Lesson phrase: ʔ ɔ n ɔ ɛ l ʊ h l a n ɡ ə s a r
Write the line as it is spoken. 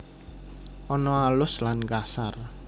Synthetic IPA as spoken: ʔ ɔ n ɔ a l ʊ s l a n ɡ a s a r